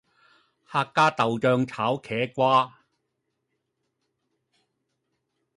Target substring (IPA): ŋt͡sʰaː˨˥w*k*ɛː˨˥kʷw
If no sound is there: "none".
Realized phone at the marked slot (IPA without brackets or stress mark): kʰ